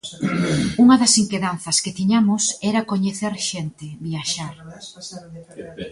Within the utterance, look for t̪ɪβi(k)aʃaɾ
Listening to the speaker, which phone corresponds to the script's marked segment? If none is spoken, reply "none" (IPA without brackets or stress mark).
none